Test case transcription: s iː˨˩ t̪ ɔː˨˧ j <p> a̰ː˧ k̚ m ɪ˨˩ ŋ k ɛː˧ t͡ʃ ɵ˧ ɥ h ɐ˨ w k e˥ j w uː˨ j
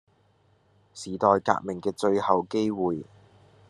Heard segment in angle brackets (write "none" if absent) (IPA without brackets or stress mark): k